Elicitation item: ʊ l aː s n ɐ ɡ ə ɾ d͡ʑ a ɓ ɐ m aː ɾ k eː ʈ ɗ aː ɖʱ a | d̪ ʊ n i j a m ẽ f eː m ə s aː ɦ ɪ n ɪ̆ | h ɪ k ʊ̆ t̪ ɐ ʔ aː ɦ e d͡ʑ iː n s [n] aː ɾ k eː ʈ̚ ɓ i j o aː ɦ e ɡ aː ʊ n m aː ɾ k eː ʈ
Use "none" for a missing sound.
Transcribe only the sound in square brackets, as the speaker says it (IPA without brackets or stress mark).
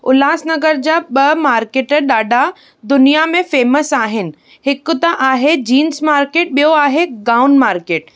m